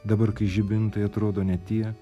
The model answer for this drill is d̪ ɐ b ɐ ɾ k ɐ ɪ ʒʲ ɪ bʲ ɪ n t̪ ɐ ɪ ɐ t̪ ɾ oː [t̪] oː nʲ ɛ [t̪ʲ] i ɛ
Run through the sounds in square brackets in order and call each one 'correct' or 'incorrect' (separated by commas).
incorrect, correct